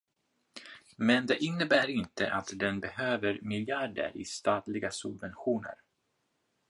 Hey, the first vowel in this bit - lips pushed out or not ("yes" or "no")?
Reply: no